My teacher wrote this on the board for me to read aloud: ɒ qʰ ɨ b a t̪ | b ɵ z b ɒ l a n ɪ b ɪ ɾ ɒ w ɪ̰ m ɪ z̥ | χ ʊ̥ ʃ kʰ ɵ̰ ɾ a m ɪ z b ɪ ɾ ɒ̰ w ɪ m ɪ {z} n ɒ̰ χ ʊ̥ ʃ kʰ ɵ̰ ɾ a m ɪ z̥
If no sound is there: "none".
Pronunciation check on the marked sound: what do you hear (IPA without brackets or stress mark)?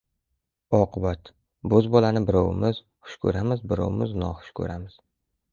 z